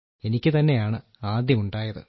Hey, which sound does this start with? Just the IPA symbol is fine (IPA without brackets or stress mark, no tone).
e̞